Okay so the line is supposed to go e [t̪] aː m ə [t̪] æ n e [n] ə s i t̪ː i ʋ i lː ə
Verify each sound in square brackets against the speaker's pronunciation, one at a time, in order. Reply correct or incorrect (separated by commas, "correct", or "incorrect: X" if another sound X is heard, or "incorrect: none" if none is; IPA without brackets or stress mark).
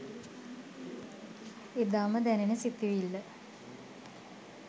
incorrect: d̪, incorrect: d̪, correct